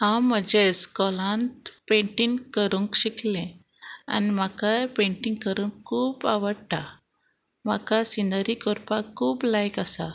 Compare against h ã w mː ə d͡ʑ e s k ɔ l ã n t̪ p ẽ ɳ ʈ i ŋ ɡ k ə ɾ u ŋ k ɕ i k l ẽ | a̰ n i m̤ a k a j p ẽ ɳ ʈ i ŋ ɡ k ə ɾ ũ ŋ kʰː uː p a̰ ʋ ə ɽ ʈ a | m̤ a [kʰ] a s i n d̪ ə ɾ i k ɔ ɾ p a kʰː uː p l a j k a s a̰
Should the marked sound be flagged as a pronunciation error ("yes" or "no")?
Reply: yes